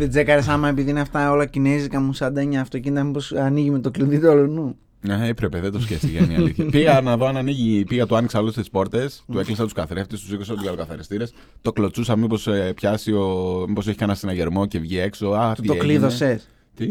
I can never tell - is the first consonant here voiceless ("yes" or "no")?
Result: no